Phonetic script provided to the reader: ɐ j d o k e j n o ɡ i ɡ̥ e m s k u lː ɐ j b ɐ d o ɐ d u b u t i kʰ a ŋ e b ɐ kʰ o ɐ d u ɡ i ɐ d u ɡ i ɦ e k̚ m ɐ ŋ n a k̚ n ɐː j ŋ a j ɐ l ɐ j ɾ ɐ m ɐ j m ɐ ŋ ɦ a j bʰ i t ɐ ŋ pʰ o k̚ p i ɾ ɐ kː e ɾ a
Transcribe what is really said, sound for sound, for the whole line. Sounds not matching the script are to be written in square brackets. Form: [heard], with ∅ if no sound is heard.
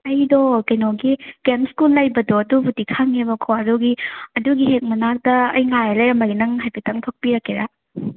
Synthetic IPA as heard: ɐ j d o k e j n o ɡ i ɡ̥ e m s k u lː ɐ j b ɐ d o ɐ d u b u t i kʰ a ŋ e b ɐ kʰ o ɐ d u ɡ i ɐ d u ɡ i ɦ e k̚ m ɐ [∅] n a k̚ [d] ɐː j ŋ a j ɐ l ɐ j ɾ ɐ m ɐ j [n] ɐ ŋ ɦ a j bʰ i t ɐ ŋ [tʰ] o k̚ p i ɾ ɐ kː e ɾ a